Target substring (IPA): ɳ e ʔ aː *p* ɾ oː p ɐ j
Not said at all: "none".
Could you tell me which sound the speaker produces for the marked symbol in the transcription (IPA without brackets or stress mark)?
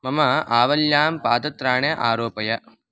none